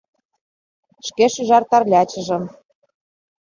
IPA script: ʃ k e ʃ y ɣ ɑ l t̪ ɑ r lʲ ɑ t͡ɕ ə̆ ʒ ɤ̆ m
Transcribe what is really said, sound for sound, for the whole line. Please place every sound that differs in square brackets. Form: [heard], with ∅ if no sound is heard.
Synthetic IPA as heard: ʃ k e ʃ y [ʒ] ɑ [r] t̪ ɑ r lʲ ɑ t͡ɕ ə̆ ʒ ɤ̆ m